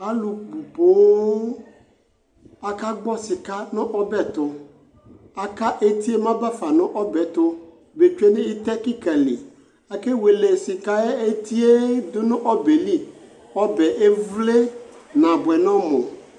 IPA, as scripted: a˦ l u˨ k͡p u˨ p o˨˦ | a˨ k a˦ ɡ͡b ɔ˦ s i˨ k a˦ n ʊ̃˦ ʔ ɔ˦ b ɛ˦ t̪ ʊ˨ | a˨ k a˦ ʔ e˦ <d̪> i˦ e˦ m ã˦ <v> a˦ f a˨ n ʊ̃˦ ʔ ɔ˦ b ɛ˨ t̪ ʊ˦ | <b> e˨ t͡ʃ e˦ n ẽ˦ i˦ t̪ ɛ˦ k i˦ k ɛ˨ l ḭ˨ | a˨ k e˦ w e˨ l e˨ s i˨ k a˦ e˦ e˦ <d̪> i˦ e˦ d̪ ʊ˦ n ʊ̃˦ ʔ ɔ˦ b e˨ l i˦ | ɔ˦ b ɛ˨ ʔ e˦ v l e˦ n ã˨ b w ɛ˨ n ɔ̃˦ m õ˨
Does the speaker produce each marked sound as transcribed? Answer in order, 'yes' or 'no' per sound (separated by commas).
no, no, yes, no